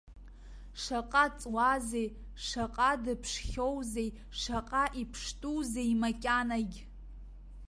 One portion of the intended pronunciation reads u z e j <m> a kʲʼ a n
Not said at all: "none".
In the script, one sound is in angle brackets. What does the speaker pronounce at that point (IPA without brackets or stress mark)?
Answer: m